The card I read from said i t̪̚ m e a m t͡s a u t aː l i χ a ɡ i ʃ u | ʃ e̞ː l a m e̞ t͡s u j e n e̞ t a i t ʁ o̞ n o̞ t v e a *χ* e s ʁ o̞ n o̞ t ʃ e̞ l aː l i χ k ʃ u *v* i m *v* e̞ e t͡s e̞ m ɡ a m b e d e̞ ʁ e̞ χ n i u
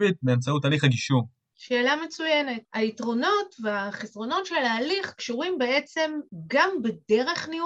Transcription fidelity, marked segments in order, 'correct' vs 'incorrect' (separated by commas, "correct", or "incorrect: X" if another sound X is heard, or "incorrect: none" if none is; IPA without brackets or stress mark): correct, incorrect: ʁ, incorrect: b